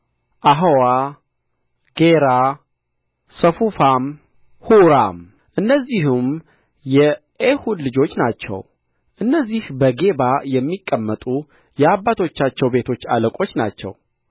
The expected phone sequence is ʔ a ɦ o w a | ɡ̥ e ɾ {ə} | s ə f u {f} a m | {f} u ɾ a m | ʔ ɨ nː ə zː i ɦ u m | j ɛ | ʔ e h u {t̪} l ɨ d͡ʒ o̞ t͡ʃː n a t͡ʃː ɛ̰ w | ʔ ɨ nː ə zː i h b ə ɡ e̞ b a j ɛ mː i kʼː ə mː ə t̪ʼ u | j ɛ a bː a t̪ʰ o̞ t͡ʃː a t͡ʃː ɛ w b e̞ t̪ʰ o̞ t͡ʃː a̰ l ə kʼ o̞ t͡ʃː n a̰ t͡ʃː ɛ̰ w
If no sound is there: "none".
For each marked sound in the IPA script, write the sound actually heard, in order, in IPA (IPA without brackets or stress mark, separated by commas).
a, f, h, d̪